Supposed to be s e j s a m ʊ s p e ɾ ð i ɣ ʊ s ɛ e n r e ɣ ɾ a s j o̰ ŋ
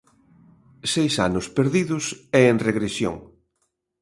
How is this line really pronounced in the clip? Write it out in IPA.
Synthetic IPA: s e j s a n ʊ s p e ɾ ð i ð ʊ s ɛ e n r e ɣ ɾ e s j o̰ ŋ

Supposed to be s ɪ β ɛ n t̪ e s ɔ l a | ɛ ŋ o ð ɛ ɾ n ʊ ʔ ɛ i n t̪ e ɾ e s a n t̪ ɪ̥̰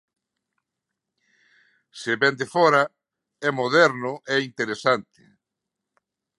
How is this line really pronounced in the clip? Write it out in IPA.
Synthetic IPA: s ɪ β ɛ n d̪ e f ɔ ɾ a | ɛ m o ð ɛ ɾ n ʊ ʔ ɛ i n t̪ e ɾ e s a n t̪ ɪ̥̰

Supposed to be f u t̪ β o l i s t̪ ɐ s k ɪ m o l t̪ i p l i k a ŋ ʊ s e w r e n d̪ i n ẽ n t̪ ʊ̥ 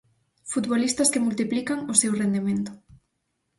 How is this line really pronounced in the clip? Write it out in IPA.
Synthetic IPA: f u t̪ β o l i s t̪ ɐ s k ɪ m u l t̪ i p l i k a ŋ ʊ s e w r e n d̪ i m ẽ n t̪ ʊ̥

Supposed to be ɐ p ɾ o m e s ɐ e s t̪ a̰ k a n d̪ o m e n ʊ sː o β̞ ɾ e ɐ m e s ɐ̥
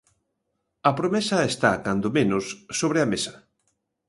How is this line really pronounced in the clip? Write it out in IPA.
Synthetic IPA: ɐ p ɾ o m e s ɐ e s t̪ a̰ k a n d̪ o m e n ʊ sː o β̞ ɾ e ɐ m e s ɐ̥

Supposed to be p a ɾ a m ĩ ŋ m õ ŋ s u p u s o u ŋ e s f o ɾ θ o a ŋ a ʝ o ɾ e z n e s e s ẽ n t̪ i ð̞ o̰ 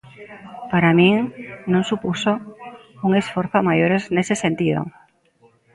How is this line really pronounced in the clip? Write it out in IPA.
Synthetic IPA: p a ɾ a m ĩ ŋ n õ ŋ s u p u s o u ŋ e s f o ɾ θ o a m a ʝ o ɾ e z n e s e s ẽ n t̪ i ð̞ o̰

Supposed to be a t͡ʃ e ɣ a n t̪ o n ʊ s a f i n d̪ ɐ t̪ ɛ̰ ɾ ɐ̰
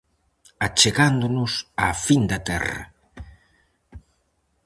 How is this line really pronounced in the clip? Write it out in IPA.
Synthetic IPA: a t͡ʃ e ɣ a n d̪ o n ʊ s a f i n d̪ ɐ t̪ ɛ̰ r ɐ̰

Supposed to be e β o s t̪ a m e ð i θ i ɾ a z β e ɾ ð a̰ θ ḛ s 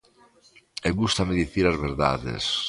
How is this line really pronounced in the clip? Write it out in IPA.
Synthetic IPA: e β u s t̪ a m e ð i θ i ɾ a z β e ɾ ð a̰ ð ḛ s

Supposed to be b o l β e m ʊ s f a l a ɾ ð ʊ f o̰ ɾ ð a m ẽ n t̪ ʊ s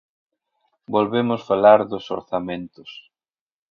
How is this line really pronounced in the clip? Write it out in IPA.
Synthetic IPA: b o l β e m ʊ s f a l a ɾ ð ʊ s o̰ ɾ θ a m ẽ n t̪ ʊ s

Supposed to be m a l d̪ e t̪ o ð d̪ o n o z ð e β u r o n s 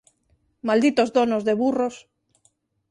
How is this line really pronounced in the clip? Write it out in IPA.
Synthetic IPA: m a l d̪ i t̪ o z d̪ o n o z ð e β u r o s

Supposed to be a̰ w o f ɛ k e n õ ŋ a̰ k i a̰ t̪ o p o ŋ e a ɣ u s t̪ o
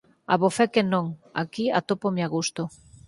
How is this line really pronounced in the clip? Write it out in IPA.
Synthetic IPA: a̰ β o f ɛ k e n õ ŋ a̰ k i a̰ t̪ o p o m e a ɣ u s t̪ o

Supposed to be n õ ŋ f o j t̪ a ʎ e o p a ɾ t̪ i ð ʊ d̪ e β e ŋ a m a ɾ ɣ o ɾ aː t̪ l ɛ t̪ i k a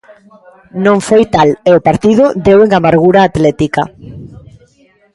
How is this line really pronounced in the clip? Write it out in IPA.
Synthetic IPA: n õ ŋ f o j t̪ a l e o p a ɾ t̪ i ð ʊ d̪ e w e ŋ a m a ɾ ɣ u ɾ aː t̪ l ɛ t̪ i k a

